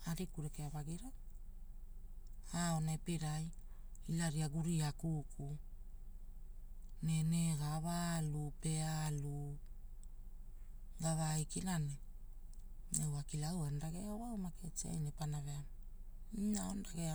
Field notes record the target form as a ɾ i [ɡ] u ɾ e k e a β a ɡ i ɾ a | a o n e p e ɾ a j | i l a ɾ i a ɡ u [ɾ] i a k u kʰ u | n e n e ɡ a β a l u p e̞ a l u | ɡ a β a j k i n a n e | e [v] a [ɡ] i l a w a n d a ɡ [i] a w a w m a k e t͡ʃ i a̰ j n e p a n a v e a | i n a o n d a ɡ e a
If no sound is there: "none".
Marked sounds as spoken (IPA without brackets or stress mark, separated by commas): k, ɾ, w, k, e